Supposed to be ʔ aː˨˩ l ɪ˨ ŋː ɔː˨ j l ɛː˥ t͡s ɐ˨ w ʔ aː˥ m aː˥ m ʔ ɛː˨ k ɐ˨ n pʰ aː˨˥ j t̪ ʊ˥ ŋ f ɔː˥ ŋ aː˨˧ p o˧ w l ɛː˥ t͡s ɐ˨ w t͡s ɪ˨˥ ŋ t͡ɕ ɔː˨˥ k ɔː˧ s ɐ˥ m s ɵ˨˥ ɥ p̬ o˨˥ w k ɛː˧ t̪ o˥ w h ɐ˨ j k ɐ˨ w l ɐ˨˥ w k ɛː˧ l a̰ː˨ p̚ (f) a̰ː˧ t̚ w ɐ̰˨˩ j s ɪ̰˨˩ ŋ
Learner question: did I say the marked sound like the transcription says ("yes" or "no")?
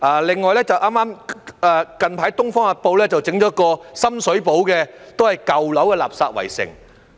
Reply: no